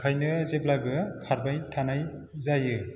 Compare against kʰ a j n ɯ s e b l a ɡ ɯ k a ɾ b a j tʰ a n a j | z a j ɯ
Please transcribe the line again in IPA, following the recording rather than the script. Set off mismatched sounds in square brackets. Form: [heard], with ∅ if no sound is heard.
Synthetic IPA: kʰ a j n ɯ [z] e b l a ɡ ɯ [kʰ] a ɾ b a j tʰ a n a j | z a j ɯ